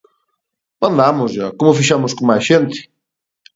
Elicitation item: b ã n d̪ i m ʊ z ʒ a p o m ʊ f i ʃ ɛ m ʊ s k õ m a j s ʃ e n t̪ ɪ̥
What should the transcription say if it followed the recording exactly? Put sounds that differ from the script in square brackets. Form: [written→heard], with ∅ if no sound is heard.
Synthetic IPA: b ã n d̪ [i→a] m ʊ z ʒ a [p→k] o m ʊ f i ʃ [ɛ→a] m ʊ s k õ m a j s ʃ e n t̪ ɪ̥